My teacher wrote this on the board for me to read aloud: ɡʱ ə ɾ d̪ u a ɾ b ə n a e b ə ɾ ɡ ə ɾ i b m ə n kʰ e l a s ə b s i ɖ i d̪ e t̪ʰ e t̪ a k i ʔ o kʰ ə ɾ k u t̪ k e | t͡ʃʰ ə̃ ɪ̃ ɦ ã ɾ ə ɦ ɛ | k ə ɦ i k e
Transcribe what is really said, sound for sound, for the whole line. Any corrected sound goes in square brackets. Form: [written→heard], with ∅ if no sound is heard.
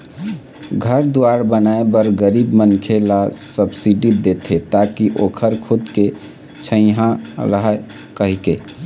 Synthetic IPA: ɡʱ ə ɾ d̪ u a ɾ b ə n a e b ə ɾ ɡ ə ɾ i b m ə n kʰ e l a s ə b s i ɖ i d̪ e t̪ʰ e t̪ a k i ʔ o kʰ ə ɾ [k→kʰ] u [t̪→d̪] k e | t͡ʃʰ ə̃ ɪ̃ ɦ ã ɾ ə ɦ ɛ | k ə ɦ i k e